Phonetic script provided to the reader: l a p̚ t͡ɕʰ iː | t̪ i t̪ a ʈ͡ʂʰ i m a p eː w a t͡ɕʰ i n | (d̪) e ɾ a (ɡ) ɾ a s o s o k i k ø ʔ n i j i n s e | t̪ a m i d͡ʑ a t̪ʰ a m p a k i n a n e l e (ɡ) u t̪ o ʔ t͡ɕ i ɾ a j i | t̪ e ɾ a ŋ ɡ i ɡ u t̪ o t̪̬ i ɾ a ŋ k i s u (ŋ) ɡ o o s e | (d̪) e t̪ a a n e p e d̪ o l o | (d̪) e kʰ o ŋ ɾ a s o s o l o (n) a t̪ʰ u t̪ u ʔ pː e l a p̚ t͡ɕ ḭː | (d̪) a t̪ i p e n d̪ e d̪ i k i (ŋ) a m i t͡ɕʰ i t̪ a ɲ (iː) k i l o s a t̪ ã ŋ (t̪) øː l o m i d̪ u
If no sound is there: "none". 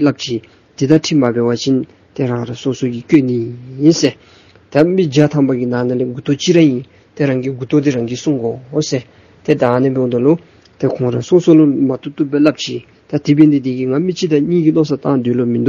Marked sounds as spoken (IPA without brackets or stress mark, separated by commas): t̪, ŋ, ɡ, ŋ, t̪, t̪, m, t̪, ŋ, iː, d̪